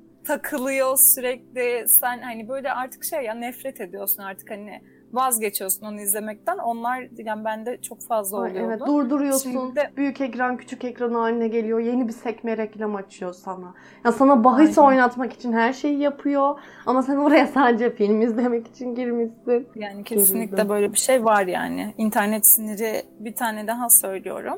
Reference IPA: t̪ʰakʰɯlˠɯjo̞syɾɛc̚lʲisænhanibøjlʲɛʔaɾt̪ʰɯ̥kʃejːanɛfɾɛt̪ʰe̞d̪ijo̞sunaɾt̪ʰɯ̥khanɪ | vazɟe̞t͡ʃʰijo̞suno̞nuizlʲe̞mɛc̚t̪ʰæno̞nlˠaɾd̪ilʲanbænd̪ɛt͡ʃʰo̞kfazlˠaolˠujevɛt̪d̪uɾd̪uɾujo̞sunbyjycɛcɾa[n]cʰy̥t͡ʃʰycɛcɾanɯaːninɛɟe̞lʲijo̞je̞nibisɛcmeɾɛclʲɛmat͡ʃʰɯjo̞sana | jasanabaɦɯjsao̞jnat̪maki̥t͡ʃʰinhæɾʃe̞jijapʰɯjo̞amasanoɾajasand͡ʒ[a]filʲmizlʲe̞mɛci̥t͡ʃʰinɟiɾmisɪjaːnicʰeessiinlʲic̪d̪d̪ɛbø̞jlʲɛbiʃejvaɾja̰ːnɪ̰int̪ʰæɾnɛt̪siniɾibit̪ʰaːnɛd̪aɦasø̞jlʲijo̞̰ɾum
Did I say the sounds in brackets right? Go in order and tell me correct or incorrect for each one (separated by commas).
correct, incorrect